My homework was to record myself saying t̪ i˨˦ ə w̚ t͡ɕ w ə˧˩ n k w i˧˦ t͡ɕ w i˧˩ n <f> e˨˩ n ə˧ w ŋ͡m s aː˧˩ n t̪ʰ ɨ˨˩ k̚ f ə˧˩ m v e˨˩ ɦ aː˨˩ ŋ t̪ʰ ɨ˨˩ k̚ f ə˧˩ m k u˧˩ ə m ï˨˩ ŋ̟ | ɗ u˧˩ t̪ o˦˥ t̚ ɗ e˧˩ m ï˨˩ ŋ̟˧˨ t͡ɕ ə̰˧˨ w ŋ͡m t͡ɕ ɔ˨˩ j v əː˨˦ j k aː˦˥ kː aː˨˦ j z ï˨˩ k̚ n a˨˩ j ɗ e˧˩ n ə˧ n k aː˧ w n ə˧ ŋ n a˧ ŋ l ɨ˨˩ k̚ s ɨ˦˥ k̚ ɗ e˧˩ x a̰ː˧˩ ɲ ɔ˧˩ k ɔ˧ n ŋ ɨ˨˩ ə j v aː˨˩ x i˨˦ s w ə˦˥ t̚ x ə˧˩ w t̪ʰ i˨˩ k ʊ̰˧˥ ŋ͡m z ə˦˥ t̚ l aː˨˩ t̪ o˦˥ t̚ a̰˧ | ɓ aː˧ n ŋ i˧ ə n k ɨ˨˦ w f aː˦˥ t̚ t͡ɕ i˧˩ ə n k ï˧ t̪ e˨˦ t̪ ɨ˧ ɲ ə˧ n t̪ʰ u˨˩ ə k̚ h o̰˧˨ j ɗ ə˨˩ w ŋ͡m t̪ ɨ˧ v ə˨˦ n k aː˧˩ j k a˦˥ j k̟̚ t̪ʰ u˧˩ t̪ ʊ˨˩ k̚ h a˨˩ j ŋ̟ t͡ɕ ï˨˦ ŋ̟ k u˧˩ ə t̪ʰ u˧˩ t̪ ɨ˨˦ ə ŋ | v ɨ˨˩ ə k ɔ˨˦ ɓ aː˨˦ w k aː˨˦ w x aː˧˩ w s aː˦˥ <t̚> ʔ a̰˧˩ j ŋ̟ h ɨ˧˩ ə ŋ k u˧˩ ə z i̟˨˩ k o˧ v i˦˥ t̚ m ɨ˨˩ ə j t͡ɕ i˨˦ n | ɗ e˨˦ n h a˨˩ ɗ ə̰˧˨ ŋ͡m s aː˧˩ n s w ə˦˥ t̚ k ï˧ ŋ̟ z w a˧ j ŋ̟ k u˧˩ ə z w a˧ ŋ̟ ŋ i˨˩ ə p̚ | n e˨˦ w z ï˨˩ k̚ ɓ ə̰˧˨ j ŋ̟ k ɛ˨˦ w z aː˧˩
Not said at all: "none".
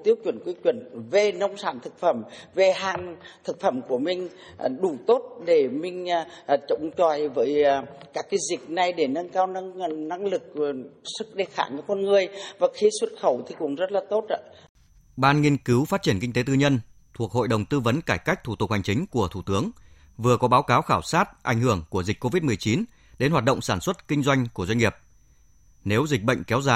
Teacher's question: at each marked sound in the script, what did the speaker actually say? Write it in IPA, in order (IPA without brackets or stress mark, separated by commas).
v, t̚